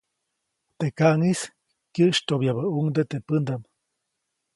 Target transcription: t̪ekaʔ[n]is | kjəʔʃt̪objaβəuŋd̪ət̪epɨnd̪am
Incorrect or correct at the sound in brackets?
incorrect: ŋ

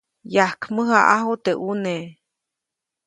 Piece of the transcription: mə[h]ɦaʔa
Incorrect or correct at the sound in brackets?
incorrect: none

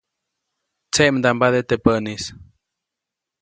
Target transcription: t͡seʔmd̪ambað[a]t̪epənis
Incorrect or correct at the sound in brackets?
incorrect: e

